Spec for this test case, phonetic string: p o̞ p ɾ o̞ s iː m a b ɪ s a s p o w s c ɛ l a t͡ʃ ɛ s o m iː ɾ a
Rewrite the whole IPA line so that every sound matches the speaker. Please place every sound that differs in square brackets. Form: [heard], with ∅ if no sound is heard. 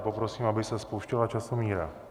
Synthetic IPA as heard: p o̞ p ɾ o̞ s iː m a b ɪ s [ɛ] s p o w [ʃ] c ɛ l a t͡ʃ [a] s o m iː ɾ a